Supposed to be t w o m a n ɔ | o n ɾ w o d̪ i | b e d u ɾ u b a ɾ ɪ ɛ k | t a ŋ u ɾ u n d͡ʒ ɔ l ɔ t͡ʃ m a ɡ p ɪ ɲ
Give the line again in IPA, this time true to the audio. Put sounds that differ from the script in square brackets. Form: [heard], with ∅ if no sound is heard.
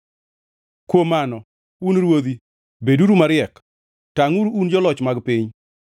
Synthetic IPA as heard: [k] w o m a n ɔ | [u] n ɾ w o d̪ i | b e d u ɾ u [m] a ɾ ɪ ɛ k | t a ŋ u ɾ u n d͡ʒ ɔ l ɔ t͡ʃ m a ɡ p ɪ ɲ